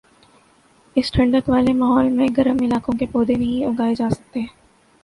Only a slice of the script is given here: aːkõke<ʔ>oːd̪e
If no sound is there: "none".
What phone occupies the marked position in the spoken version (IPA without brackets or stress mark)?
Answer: p